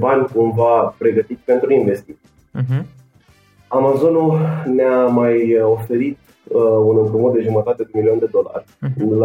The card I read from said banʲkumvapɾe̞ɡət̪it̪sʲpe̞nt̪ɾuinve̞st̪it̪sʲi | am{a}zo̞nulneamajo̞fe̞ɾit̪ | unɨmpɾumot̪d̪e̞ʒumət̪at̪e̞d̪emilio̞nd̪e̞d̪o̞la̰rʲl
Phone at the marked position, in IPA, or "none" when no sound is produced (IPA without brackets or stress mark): a